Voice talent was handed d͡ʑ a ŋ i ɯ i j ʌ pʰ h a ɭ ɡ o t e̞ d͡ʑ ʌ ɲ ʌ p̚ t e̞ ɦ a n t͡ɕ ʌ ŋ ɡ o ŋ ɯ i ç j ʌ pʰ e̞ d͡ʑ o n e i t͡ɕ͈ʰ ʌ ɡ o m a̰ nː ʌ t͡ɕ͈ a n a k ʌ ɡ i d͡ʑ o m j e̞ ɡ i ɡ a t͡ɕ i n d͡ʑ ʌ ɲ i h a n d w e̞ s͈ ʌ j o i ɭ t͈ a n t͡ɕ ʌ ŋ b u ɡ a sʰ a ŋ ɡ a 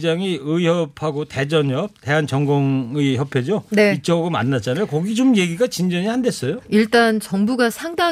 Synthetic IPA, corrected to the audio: d͡ʑ a ŋ i ɯ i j ʌ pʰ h a ɡ o t e̞ d͡ʑ ʌ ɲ ʌ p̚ t e̞ ɦ a n t͡ɕ ʌ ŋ ɡ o ŋ ɯ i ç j ʌ pʰ e̞ d͡ʑ o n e i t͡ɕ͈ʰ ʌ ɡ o m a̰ nː a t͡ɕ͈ a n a k ʌ ɡ i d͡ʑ o m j e̞ ɡ i ɡ a t͡ɕ i n d͡ʑ ʌ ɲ i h a n d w e̞ s͈ ʌ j o i ɭ t͈ a n t͡ɕ ʌ ŋ b u ɡ a sʰ a ŋ d a